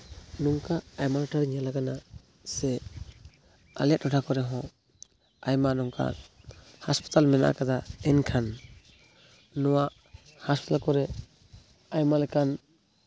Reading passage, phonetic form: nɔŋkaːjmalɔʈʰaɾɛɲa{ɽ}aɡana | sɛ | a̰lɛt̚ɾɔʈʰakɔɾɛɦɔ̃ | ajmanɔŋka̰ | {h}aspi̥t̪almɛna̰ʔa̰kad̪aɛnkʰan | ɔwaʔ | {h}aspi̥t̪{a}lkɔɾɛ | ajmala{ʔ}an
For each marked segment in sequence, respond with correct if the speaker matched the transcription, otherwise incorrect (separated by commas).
incorrect, correct, correct, correct, incorrect